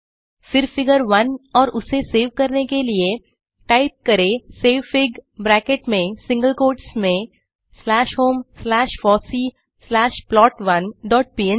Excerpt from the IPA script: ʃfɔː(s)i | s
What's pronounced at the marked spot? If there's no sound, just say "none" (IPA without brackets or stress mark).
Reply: s